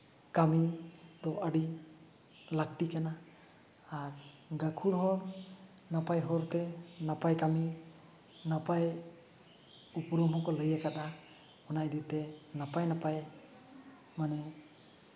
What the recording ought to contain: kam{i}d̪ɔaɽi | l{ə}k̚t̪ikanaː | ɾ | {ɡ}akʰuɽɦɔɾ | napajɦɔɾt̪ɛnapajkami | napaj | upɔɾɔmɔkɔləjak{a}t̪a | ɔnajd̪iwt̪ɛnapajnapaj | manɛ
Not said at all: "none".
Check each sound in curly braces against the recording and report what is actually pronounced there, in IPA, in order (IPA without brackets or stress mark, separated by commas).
i, a, ɡ, a